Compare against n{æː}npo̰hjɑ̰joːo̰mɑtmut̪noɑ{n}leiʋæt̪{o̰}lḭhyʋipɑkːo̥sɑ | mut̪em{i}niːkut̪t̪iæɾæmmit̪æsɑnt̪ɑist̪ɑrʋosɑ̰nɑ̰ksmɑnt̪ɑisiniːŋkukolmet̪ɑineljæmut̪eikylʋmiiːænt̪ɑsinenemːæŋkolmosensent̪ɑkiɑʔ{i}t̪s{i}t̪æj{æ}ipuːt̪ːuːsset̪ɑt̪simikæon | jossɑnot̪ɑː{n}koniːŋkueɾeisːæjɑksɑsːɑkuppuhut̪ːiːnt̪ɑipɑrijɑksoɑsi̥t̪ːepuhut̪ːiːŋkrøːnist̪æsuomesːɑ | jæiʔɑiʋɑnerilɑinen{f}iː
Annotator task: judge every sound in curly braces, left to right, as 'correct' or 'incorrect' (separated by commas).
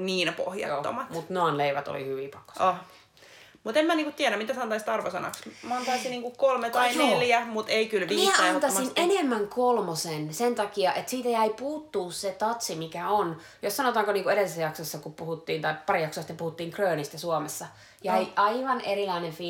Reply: incorrect, correct, correct, incorrect, incorrect, incorrect, correct, incorrect, correct